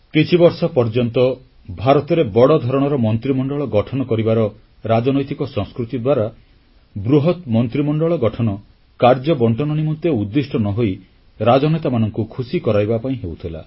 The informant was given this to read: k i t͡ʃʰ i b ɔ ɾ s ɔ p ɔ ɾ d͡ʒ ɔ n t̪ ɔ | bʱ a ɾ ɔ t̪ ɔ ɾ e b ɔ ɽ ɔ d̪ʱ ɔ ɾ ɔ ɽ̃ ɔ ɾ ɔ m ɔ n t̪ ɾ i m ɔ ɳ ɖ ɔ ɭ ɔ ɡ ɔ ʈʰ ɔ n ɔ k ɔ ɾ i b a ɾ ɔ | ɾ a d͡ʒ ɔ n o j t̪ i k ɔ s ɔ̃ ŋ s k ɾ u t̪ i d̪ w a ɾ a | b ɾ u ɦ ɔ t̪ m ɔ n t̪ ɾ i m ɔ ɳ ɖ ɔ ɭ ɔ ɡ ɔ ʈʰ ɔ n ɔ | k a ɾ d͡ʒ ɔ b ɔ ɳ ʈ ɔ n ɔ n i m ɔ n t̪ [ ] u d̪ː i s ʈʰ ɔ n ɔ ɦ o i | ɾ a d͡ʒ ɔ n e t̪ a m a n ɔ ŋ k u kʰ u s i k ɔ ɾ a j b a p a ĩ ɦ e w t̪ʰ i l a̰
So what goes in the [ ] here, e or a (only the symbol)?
e